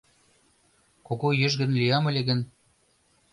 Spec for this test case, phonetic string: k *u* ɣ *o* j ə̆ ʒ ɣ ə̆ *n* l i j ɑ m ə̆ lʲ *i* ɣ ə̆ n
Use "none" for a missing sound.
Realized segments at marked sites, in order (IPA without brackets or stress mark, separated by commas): o, o, n, e